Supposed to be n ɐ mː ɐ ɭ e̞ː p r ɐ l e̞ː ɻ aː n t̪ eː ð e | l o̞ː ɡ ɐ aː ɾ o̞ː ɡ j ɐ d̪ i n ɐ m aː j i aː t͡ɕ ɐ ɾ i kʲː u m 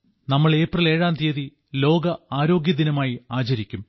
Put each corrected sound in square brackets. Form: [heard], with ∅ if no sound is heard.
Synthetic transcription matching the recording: n ɐ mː ɐ ɭ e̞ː p r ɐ l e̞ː ɻ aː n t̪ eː ð [i] | l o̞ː ɡ ɐ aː ɾ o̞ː ɡ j ɐ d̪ i n ɐ m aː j i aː t͡ɕ ɐ ɾ i kʲː u m